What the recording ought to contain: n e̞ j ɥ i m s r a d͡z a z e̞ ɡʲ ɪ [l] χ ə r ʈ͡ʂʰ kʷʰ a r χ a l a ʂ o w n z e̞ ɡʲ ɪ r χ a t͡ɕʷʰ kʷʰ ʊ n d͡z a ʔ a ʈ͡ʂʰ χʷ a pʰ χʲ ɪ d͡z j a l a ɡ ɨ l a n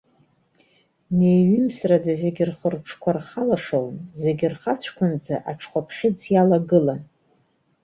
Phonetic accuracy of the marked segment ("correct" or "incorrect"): incorrect